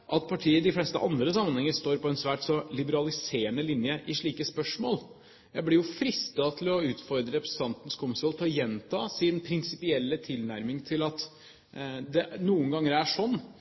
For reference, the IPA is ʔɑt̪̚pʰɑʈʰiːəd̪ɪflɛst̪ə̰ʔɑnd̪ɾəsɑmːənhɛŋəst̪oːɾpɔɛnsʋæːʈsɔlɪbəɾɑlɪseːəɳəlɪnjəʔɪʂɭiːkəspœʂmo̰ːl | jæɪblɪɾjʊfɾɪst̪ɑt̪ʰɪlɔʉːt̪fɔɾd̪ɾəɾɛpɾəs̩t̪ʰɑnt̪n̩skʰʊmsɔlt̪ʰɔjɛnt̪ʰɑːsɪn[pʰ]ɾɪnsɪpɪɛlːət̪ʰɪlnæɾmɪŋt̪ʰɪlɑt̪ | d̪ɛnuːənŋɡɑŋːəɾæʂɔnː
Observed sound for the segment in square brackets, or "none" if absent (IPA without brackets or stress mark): pʰ